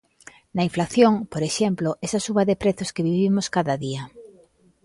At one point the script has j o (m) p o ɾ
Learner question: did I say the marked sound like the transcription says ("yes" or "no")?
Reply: no